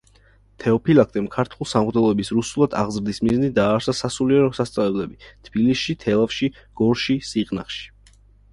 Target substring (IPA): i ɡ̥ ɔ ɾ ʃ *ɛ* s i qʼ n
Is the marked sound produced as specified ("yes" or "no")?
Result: no